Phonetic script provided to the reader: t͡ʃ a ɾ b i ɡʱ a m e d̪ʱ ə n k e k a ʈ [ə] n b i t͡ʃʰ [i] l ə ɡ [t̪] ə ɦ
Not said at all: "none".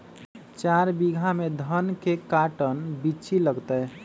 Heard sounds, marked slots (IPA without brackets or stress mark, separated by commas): ə, i, t̪